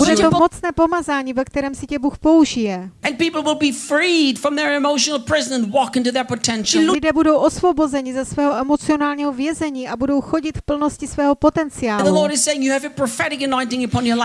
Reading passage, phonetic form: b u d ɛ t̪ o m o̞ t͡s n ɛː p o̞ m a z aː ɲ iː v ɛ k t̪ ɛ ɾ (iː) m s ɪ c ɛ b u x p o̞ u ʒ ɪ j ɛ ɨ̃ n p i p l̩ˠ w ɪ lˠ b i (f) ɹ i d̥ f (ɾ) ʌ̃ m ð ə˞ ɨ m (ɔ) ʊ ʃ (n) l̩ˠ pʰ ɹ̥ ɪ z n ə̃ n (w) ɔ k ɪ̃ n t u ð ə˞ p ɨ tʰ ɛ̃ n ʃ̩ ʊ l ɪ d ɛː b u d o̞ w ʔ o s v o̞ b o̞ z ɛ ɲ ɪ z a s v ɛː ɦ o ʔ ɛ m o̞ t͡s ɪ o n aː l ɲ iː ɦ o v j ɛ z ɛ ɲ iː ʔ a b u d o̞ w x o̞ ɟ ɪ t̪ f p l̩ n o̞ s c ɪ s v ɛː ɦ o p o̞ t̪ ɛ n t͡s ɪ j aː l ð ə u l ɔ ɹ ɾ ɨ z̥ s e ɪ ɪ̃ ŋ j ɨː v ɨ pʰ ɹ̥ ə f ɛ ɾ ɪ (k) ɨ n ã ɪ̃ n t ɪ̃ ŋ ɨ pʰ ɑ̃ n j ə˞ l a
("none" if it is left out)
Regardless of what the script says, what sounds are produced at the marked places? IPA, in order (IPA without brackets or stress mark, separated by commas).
ɛː, f, ɹ, o, n, w, k